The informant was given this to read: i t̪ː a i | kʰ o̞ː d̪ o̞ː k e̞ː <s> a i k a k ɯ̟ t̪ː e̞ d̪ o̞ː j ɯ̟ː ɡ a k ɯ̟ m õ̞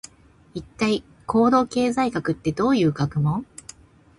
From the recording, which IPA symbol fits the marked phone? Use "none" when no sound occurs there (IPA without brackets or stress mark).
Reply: z